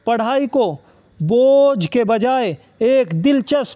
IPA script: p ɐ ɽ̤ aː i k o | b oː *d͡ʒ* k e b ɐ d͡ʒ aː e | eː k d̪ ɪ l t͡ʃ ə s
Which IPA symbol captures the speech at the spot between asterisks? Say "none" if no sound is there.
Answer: d͡ʒ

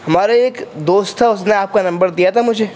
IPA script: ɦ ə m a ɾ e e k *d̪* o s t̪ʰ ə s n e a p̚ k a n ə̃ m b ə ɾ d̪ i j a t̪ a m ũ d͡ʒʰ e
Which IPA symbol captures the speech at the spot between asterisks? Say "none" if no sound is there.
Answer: d̪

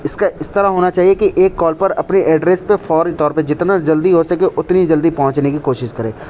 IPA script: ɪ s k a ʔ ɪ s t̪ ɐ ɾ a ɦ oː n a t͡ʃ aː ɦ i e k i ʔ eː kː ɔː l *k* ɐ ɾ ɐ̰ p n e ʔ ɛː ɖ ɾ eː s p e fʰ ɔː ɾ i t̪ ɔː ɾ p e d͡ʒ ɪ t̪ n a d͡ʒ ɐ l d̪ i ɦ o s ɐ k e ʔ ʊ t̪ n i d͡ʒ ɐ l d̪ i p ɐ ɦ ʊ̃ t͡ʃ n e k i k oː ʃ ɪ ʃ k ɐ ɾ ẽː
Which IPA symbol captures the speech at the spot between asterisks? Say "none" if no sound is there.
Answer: p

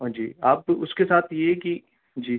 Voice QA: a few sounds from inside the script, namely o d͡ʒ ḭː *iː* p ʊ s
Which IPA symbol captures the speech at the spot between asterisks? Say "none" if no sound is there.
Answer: aː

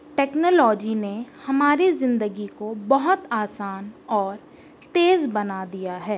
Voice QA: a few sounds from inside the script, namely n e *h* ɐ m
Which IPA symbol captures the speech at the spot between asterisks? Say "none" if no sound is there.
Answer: h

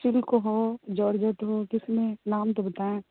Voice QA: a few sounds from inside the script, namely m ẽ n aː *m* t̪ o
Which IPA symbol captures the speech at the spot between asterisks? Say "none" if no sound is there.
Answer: m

